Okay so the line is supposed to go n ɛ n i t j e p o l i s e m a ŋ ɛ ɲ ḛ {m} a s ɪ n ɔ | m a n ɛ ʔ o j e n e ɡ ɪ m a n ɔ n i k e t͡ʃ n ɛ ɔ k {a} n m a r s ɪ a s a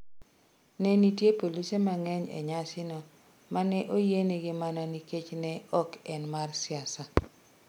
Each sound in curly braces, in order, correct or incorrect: incorrect: ɲ, incorrect: ɛ

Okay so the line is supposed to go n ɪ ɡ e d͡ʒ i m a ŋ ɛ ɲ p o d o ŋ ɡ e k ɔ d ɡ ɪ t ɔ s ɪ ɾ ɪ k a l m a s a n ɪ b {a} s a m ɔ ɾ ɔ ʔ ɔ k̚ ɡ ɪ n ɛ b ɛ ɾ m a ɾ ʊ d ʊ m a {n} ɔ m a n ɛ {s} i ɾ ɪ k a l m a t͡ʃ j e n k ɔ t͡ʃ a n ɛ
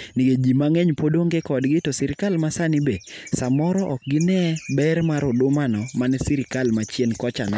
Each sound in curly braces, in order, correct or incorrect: incorrect: e, correct, correct

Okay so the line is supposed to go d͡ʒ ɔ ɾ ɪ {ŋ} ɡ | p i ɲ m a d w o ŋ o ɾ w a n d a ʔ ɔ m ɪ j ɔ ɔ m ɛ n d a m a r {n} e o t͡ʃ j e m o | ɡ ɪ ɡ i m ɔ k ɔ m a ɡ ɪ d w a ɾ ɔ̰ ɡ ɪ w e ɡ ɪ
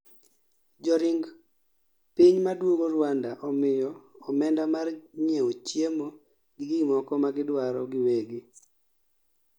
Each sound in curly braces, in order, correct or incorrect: correct, incorrect: ɲ

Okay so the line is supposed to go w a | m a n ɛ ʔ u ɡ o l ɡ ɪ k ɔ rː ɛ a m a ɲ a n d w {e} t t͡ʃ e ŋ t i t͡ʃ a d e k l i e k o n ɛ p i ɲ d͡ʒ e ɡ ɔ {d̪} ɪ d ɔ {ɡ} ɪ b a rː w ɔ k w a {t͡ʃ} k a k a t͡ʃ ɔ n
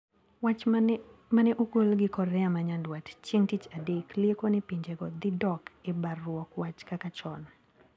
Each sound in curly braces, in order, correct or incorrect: incorrect: a, correct, incorrect: k, correct

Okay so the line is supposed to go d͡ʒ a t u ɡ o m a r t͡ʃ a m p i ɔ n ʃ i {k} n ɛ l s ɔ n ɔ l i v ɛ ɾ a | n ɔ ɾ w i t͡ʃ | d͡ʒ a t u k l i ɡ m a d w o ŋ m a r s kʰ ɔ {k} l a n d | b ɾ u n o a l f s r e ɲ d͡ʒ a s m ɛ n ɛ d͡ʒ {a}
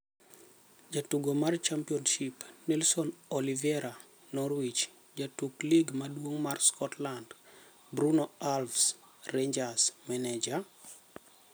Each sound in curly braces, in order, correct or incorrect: incorrect: p, incorrect: t, correct

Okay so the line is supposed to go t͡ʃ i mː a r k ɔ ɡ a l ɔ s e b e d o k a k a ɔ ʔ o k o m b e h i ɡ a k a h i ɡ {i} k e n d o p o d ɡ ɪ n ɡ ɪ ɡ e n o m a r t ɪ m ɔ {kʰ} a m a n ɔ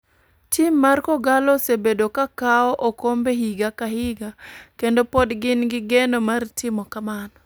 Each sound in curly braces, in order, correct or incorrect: incorrect: a, incorrect: k

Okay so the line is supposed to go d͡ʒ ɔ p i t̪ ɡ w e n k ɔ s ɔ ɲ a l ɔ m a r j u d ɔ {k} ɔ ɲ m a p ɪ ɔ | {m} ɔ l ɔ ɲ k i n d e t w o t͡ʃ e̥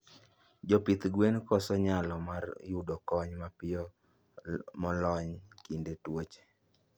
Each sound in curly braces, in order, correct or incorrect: correct, correct

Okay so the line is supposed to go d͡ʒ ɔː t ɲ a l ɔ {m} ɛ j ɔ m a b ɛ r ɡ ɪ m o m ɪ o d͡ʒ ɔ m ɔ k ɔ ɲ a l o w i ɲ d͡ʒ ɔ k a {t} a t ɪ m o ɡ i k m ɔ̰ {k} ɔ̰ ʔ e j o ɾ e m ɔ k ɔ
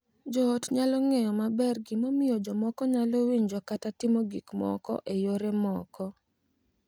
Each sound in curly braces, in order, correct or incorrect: incorrect: ŋ, correct, correct

